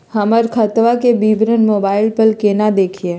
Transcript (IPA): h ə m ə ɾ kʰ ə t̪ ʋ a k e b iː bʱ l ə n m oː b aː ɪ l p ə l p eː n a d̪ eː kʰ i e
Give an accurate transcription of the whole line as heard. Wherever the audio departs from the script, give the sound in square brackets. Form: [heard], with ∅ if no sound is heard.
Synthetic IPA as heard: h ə m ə ɾ kʰ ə t̪ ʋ a k e b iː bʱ [ɾ] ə n m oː b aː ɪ l p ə l [k] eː n a d̪ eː kʰ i e

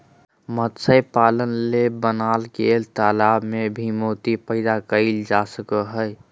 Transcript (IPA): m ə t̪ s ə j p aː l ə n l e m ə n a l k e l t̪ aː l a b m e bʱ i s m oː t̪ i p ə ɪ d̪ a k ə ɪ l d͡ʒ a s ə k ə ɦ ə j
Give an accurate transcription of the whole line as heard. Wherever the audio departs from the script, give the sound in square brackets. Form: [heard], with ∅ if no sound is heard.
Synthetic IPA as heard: m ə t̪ s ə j p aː l ə n l e [b] ə n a l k e l t̪ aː l a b m e bʱ i [∅] m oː t̪ i p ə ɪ d̪ a k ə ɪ l d͡ʒ a s ə k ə ɦ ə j

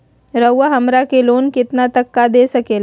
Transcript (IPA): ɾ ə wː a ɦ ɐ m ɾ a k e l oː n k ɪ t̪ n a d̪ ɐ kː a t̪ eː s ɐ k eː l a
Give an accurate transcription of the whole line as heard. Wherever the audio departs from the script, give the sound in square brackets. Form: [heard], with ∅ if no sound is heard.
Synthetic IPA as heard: ɾ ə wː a ɦ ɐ m ɾ a k e l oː n k ɪ t̪ n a [t̪] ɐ kː a [d̪] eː s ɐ k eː l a

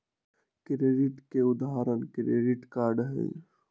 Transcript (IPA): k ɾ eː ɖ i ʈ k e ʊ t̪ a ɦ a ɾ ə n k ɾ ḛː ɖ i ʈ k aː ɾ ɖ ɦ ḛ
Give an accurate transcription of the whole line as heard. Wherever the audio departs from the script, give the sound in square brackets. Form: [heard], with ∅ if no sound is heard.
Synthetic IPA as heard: k ɾ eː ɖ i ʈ k e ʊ [d̪] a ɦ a ɾ ə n k ɾ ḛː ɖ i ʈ k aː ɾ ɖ ɦ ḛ

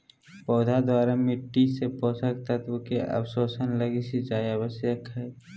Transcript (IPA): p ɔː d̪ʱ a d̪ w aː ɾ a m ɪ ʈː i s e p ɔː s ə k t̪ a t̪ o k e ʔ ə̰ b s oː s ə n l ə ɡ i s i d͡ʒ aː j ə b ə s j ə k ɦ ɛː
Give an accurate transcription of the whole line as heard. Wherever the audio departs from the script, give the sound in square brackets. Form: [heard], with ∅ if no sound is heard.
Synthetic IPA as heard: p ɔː d̪ʱ a d̪ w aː ɾ a m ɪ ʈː i s e p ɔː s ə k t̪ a t̪ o k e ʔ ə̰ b s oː s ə n l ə ɡ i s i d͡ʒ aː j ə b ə s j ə k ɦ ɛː

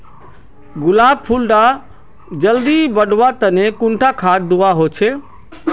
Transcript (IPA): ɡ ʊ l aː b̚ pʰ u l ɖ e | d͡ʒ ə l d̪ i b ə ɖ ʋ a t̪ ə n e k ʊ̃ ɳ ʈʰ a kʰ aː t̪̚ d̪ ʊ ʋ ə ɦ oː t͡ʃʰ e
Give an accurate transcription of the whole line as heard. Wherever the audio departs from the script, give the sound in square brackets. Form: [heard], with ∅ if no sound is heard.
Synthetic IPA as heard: ɡ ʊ l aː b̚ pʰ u l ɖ [a] | d͡ʒ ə l d̪ i b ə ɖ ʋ a t̪ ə n e k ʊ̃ ɳ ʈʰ a kʰ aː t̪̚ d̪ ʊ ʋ [a] ɦ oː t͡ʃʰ e

